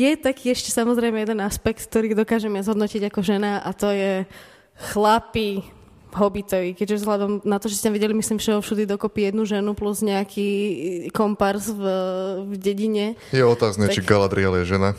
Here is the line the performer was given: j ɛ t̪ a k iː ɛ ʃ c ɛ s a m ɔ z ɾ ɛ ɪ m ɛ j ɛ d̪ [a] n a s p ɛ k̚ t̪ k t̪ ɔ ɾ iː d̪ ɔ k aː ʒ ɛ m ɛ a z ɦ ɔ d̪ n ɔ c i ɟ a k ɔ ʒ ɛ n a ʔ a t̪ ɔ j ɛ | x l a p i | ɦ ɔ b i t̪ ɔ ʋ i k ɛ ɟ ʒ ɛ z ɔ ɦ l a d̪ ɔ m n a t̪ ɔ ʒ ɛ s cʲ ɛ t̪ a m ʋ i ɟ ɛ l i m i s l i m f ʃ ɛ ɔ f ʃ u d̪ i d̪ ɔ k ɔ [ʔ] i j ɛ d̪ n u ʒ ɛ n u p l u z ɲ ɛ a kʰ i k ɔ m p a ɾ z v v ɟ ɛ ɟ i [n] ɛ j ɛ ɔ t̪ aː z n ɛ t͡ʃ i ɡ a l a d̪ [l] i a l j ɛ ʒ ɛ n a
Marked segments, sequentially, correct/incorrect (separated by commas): incorrect, incorrect, incorrect, incorrect